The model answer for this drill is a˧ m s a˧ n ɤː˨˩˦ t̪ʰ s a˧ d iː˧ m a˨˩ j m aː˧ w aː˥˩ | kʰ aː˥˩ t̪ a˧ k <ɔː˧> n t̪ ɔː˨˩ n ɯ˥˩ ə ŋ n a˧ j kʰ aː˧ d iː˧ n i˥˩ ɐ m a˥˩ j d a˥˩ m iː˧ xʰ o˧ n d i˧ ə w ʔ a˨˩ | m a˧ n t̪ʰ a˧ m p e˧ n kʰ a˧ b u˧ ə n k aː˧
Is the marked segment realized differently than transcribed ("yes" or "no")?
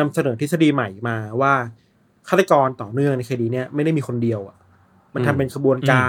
no